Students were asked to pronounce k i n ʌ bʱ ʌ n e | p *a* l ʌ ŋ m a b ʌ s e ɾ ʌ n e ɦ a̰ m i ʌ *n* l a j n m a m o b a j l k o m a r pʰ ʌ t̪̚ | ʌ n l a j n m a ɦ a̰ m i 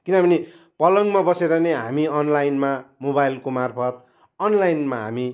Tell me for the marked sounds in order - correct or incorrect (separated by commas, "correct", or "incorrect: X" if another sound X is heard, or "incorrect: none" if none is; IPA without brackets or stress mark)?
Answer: incorrect: ʌ, correct